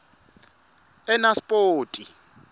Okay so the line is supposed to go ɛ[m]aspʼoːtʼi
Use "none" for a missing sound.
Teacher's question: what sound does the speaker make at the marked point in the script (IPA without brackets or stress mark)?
n